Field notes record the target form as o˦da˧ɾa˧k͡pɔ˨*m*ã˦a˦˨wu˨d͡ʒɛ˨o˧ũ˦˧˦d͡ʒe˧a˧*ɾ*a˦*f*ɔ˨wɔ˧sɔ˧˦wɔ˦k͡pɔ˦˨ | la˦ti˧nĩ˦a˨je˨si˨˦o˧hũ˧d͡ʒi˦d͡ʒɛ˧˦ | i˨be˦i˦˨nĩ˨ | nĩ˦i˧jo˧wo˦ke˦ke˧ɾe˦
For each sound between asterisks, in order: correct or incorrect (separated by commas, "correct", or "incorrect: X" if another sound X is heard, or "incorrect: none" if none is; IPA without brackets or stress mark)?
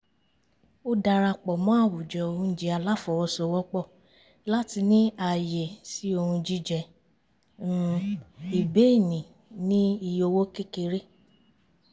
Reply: correct, incorrect: l, correct